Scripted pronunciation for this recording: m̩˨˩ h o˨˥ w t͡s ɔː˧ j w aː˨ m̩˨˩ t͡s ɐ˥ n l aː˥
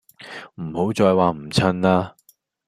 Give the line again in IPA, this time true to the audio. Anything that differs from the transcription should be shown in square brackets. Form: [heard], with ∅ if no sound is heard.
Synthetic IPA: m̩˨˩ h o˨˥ w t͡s ɔː˧ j w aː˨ m̩˨˩ [t͡sʰ] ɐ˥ n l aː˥